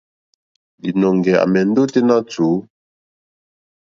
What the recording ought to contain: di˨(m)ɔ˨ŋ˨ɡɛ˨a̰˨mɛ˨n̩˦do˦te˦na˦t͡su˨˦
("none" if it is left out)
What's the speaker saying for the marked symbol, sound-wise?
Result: n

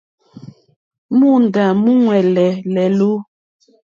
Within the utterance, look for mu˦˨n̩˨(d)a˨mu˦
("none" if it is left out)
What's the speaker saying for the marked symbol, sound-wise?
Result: d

